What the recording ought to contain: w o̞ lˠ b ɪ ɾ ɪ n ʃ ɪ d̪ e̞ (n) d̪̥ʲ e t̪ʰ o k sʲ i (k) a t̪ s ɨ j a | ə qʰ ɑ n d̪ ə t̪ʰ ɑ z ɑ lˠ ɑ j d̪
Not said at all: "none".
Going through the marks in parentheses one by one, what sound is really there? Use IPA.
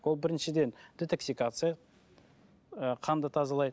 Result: n, k

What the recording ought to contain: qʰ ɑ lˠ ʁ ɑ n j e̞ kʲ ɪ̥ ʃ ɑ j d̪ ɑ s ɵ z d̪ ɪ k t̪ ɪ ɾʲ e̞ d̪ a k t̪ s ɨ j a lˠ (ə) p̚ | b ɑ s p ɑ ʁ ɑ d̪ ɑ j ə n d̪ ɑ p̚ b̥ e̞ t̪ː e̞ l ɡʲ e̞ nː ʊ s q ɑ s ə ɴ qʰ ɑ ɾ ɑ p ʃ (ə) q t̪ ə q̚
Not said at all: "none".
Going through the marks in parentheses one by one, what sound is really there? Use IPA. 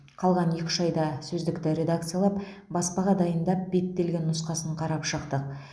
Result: ɑ, ə

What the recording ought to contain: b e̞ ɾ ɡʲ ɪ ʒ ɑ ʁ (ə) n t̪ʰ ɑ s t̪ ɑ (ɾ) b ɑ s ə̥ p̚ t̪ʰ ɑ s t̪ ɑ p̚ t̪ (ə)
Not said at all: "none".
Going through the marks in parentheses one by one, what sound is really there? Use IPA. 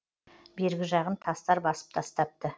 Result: ə, ɾ, ə

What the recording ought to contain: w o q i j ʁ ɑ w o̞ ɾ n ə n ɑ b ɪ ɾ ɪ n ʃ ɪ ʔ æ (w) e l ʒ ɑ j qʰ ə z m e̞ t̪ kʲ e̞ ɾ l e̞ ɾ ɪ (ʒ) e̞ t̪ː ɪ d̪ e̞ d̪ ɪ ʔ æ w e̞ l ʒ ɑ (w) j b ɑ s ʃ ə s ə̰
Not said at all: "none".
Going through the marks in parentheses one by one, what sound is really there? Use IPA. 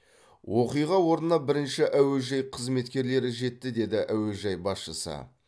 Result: w, ʒ, none

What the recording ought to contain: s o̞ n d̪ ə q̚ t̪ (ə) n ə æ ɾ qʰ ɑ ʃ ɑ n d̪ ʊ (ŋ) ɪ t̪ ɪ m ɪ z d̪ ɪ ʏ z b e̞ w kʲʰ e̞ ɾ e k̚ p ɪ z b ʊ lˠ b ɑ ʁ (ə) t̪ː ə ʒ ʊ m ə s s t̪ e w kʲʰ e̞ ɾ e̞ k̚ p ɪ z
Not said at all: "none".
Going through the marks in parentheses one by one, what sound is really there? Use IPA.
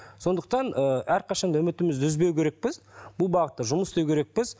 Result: ɑ, m, ə

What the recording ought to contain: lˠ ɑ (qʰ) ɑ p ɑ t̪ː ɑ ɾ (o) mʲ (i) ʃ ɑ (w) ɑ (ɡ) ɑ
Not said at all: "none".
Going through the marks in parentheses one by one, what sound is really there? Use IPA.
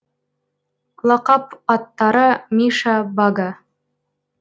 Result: q, ɤ, i, b, ɡ

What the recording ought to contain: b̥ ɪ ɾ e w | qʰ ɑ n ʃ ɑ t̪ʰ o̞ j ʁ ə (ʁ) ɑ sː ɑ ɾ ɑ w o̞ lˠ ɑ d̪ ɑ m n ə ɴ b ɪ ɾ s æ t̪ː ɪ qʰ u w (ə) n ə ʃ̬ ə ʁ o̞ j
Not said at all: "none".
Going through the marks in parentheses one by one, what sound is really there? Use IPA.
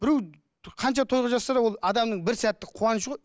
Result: ʒ, ɑ

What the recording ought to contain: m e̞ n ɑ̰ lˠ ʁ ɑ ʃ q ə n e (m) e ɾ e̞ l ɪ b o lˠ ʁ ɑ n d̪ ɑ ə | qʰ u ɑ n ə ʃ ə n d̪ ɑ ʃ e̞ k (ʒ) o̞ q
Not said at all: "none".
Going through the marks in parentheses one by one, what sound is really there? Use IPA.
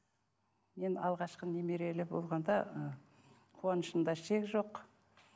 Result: m, ʒ

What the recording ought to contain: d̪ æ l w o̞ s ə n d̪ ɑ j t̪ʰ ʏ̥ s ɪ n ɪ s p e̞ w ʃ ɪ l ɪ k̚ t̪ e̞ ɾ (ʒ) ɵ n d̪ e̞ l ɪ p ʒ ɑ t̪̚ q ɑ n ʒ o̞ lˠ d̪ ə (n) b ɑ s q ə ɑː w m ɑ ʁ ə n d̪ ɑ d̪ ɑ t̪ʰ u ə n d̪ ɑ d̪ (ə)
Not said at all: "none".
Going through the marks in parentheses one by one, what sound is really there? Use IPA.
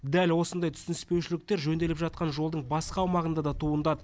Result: ʒ, ɴ, ə

